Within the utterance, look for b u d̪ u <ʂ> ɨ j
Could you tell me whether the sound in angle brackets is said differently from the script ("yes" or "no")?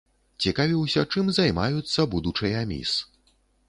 yes